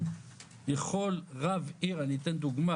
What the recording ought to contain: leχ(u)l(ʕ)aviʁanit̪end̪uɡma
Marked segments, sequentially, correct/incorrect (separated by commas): incorrect, incorrect